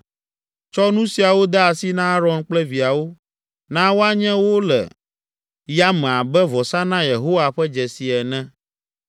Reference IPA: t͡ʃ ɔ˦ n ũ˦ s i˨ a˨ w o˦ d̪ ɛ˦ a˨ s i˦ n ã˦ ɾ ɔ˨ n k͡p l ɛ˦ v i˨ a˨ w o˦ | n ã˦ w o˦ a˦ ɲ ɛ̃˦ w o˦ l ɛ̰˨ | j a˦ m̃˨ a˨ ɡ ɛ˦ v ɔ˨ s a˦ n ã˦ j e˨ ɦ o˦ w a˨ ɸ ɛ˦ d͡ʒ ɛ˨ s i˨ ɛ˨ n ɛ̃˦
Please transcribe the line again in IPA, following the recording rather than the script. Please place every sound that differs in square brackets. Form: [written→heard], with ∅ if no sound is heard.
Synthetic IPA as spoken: t͡ʃ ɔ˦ n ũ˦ s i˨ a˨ w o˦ d̪ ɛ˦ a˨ s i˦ n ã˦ ɾ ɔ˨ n k͡p l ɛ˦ v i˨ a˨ w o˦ | n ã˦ w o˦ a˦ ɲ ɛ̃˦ w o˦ l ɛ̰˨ | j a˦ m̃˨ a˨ [ɡ→b] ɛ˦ v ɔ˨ s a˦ n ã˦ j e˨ ɦ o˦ w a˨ ɸ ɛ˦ d͡ʒ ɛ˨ s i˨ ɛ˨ n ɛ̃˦